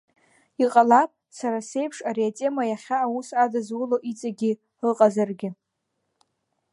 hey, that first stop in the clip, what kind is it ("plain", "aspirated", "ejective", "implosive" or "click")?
ejective